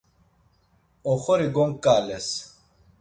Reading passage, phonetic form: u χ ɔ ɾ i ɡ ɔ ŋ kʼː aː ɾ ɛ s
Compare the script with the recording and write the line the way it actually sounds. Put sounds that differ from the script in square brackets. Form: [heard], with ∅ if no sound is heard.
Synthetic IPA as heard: [ɔ] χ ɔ ɾ i ɡ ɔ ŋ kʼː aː [l] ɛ s